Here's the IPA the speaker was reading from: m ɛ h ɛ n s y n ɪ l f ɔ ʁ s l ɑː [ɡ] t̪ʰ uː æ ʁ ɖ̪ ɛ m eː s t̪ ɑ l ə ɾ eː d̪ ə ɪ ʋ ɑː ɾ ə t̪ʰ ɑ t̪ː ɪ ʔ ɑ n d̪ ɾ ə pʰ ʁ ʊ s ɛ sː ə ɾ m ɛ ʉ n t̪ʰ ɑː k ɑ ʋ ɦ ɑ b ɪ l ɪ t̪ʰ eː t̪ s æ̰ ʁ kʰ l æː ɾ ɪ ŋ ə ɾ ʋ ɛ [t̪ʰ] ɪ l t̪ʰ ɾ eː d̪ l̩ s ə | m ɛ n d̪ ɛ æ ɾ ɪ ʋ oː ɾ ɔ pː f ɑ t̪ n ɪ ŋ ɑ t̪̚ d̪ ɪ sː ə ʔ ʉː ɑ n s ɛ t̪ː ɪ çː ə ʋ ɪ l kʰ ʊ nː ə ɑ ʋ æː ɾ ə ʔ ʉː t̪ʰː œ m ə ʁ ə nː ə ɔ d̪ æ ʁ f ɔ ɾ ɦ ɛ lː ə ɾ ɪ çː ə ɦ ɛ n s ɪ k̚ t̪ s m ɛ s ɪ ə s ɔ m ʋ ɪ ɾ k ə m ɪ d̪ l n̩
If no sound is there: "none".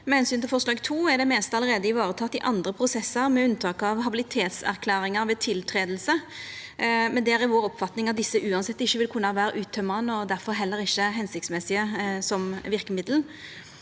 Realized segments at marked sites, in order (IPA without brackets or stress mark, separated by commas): ɡ, t̪ʰ